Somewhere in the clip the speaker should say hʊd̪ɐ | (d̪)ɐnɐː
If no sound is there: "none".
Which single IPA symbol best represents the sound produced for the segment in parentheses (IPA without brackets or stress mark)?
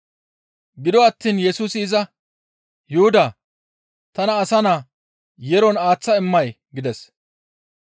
t̪